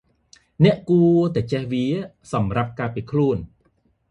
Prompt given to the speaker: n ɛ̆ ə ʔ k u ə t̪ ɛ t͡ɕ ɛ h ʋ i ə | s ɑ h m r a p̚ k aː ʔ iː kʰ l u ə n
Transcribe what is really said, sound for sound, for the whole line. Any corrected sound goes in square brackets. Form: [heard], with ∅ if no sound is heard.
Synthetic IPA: n ɛ̆ ə ʔ k u ə t̪ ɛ t͡ɕ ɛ h ʋ i ə | s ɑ [∅] m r a p̚ k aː [p] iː kʰ l u ə n